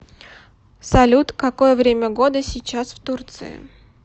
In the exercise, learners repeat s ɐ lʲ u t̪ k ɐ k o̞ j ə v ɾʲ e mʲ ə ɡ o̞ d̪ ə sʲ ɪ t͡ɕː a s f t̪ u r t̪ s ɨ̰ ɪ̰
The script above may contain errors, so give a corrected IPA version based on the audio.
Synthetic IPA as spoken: s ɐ lʲ u t̪ k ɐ k o̞ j ə v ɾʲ e mʲ ə ɡ o̞ d̪ ə sʲ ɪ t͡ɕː a s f t̪ u r t̪ s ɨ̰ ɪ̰